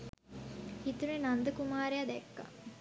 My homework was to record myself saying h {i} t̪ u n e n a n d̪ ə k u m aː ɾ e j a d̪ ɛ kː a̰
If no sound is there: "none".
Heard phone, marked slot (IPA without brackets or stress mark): i